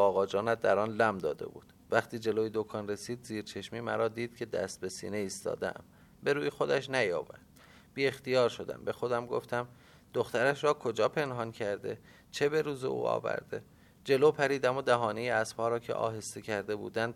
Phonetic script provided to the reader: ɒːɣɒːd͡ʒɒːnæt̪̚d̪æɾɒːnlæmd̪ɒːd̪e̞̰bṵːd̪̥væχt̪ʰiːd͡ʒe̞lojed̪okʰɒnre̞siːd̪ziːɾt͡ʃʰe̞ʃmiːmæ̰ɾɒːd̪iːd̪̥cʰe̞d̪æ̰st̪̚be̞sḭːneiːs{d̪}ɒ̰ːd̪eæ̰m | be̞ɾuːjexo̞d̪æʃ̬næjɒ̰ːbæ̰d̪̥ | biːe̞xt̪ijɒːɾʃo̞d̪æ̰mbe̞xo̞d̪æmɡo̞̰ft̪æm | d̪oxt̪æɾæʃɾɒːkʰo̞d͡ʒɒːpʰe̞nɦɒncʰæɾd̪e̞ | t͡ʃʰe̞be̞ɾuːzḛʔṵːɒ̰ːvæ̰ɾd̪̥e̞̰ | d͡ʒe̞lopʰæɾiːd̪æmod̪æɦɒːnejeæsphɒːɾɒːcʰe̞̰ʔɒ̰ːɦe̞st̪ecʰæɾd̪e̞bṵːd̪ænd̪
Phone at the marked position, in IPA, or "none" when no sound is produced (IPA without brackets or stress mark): t̪